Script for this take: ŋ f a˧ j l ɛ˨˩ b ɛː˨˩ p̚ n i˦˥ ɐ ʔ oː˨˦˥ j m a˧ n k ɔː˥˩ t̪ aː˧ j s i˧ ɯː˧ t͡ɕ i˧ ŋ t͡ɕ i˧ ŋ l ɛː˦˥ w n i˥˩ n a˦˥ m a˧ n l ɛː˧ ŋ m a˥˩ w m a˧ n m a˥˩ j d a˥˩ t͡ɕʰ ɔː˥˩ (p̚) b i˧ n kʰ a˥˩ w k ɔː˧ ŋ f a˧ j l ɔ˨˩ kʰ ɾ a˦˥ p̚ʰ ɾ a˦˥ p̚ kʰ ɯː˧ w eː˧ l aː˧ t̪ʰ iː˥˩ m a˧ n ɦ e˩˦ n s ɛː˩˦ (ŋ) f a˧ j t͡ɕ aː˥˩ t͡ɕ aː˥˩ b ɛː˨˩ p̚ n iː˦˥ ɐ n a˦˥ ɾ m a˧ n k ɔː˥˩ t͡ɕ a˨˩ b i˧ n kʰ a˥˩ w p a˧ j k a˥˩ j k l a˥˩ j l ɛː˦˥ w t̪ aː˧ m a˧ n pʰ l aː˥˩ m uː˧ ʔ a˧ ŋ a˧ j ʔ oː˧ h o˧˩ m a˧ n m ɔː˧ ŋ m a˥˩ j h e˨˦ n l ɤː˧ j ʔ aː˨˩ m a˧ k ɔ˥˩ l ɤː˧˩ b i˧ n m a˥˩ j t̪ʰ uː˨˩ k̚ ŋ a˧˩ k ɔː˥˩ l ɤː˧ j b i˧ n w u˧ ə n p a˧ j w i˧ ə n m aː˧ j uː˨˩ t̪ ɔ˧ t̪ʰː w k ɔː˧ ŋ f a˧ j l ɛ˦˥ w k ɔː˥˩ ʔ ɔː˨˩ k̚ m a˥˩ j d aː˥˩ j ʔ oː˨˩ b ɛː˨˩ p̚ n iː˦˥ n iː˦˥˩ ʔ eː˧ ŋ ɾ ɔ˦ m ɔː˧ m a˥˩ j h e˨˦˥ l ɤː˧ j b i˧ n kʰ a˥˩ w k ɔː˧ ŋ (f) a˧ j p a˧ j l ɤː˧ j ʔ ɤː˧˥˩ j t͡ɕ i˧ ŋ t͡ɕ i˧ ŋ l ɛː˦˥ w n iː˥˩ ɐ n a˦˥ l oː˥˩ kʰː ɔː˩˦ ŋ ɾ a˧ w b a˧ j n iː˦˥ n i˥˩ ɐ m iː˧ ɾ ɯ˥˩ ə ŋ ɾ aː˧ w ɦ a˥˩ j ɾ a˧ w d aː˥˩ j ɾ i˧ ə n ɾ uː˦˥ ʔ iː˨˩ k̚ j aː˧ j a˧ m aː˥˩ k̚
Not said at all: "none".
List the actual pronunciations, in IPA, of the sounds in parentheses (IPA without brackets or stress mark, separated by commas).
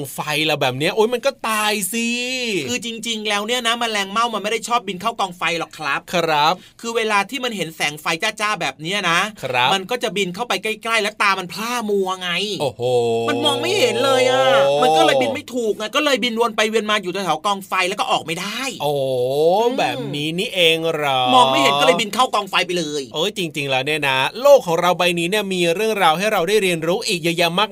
p̚, ŋ, f